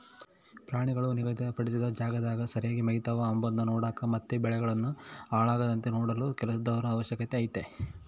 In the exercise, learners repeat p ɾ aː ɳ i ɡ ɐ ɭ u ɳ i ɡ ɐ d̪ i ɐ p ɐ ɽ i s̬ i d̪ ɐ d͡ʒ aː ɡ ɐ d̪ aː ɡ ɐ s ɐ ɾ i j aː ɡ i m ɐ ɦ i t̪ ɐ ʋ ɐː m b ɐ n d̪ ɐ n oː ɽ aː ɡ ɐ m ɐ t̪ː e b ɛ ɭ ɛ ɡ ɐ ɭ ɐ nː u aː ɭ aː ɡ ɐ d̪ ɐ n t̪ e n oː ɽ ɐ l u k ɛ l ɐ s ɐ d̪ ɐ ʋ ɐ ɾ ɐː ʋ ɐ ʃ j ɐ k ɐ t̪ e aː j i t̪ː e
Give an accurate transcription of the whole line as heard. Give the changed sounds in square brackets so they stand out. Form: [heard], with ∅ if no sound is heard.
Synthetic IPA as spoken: p ɾ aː ɳ i ɡ ɐ ɭ u [n] i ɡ ɐ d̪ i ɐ p ɐ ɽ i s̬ i d̪ ɐ d͡ʒ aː ɡ ɐ d̪ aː ɡ ɐ s ɐ ɾ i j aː ɡ i m ɐ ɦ i t̪ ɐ ʋ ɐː m b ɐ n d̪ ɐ n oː ɽ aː [k] ɐ m ɐ t̪ː e b ɛ ɭ ɛ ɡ ɐ ɭ ɐ nː u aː ɭ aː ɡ ɐ d̪ ɐ n t̪ e n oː ɽ ɐ l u k ɛ l ɐ s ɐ d̪ ɐ ʋ ɐ ɾ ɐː ʋ ɐ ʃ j ɐ k ɐ t̪ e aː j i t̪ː e